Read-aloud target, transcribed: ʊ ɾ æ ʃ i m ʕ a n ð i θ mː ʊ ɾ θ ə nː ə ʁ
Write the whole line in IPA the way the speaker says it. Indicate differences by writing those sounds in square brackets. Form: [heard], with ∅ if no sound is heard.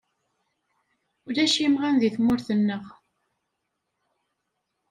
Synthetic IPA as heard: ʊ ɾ æ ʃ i m [ʁ] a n ð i θ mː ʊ ɾ θ ə nː ə ʁ